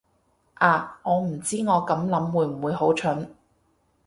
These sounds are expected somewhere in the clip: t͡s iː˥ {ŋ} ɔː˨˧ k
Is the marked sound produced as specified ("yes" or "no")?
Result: yes